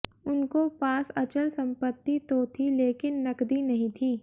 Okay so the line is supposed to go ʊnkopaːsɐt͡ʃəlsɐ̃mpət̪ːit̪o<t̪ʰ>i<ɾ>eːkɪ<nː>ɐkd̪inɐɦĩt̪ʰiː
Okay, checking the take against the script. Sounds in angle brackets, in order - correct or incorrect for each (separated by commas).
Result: correct, incorrect, correct